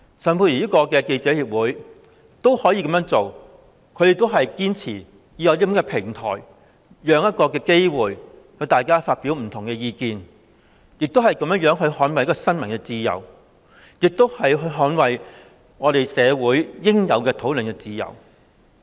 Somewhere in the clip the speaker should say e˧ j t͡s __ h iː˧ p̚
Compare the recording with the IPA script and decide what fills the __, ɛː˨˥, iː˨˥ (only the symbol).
ɛː˨˥